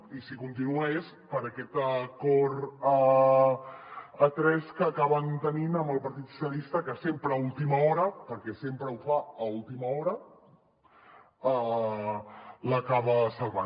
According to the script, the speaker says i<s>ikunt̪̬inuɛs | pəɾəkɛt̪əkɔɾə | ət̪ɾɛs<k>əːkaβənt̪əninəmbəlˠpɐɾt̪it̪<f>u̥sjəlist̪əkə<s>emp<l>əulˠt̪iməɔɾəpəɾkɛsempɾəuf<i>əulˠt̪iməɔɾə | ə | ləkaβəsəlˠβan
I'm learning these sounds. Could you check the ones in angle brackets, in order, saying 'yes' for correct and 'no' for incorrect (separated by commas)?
yes, yes, no, yes, no, no